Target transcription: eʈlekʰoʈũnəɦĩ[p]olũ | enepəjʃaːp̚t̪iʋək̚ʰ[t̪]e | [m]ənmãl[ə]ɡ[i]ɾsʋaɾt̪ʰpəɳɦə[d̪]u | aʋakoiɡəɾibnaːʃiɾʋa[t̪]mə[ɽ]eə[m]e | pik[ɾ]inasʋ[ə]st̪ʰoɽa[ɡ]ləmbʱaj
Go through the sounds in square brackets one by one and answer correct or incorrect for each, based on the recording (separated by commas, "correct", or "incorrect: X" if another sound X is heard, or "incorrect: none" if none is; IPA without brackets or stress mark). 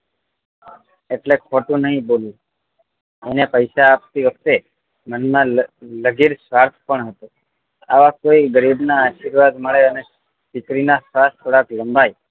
incorrect: b, correct, correct, correct, correct, incorrect: t̪, incorrect: d̪, incorrect: ɭ, incorrect: n, correct, incorrect: a, incorrect: k